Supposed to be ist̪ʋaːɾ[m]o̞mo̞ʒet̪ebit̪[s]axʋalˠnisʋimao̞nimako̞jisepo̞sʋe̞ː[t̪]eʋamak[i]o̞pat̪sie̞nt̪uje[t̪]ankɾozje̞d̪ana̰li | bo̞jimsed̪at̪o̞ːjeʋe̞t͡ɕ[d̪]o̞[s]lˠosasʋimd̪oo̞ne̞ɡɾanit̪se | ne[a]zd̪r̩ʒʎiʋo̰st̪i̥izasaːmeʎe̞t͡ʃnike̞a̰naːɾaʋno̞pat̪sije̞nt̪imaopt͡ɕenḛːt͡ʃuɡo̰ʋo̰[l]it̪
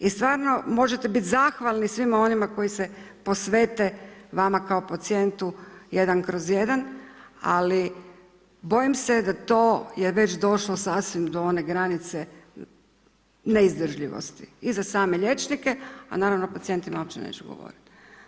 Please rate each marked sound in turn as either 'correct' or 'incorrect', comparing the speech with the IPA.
incorrect: n, incorrect: z, correct, incorrect: a, incorrect: d̪, correct, incorrect: ʃ, incorrect: i, incorrect: ɾ

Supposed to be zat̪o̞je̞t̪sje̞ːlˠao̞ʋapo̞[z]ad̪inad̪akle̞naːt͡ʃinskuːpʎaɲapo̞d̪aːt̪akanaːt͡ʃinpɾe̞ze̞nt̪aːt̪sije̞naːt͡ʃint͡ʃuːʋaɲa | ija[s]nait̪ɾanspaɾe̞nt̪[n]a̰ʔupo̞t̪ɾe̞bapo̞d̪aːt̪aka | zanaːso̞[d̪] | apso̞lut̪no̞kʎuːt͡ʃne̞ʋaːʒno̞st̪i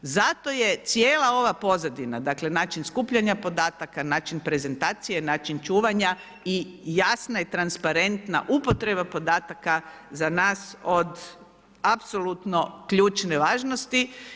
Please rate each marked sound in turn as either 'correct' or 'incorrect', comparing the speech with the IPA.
correct, correct, correct, correct

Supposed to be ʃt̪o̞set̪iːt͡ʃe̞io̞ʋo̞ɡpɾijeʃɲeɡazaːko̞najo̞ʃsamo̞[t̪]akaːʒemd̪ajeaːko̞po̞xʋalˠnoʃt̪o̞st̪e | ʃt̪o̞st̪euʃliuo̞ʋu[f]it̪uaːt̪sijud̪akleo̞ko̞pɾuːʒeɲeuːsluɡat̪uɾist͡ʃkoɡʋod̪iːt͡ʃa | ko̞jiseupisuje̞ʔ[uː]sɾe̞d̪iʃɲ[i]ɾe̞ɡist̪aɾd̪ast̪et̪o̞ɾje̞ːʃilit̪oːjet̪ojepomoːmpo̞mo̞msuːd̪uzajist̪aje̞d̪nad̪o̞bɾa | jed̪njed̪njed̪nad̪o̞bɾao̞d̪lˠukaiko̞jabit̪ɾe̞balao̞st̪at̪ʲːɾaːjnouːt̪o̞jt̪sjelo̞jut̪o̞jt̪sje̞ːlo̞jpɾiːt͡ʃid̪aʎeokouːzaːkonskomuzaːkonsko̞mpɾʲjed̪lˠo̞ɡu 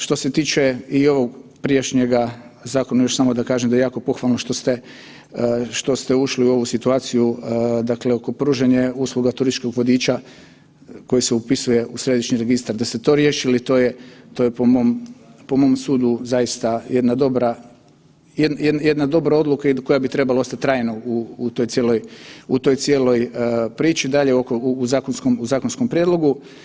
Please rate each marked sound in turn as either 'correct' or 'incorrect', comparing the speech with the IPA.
incorrect: d̪, incorrect: s, incorrect: u, correct

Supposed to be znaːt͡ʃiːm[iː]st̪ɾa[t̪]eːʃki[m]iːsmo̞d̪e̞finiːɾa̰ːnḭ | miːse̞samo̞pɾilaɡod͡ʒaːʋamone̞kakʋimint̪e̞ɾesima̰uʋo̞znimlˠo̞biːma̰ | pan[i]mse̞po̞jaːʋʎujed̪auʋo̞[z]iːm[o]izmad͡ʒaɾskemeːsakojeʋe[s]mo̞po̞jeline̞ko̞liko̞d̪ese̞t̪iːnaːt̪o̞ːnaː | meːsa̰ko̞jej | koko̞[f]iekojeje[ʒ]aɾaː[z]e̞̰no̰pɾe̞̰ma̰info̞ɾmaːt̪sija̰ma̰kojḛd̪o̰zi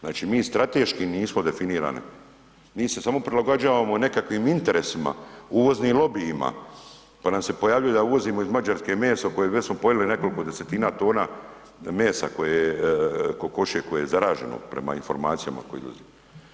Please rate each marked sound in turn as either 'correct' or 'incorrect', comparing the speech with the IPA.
correct, correct, incorrect: n, incorrect: a, correct, correct, correct, incorrect: ʃ, incorrect: z, incorrect: ʒ

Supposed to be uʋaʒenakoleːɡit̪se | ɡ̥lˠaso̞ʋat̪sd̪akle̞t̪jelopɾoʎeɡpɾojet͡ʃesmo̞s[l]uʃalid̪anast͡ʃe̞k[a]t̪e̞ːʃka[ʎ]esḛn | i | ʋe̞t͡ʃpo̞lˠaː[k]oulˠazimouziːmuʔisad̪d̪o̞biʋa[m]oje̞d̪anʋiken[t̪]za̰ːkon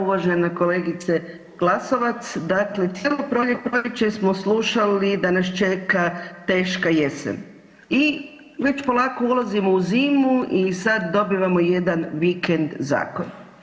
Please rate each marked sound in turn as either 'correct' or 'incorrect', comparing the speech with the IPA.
correct, correct, incorrect: j, correct, correct, incorrect: d̪

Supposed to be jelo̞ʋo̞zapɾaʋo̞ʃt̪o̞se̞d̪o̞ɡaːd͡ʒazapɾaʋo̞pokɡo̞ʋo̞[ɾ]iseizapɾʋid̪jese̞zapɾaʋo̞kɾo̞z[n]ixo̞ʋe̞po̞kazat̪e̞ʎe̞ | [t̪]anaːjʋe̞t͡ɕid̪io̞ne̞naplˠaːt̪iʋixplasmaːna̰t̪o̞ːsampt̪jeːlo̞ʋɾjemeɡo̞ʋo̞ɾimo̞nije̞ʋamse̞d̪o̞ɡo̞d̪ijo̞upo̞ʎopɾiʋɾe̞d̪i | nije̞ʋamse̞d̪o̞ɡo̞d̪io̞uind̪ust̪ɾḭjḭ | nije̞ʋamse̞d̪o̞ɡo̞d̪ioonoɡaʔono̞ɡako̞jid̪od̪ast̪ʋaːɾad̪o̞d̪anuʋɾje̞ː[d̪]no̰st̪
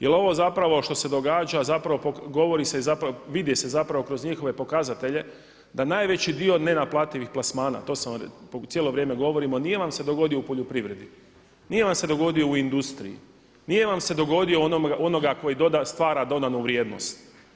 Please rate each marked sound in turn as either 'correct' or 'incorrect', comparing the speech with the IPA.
correct, incorrect: ɲ, incorrect: d̪, correct

